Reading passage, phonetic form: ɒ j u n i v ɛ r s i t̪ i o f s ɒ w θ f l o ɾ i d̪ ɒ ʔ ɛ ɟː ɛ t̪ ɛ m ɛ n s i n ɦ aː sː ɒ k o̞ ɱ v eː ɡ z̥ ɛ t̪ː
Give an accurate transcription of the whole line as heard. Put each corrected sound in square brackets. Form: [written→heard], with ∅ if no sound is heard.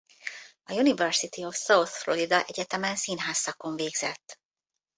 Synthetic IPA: ɒ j u n i v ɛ r s i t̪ i o f s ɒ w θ f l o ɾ i d̪ ɒ ʔ ɛ [ɟː→ɟ] ɛ t̪ ɛ m ɛ n s i n ɦ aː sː ɒ k o̞ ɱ v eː ɡ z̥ ɛ t̪ː